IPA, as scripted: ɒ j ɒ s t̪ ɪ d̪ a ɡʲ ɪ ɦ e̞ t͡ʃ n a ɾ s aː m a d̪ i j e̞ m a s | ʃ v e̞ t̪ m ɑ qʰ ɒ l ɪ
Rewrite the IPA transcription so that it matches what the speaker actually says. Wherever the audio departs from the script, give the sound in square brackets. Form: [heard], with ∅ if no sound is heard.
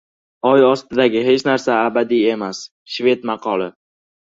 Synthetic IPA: ɒ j ɒ s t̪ ɪ d̪ a ɡʲ ɪ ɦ e̞ t͡ʃ n a ɾ s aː [b] a d̪ i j e̞ m a s | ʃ v e̞ t̪ m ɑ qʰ ɒ l ɪ